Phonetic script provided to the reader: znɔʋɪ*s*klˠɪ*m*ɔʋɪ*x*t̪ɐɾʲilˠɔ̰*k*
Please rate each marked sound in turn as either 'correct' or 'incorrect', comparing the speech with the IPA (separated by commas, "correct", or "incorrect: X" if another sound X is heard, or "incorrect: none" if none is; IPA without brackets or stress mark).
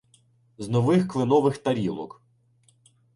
incorrect: x, incorrect: n, correct, correct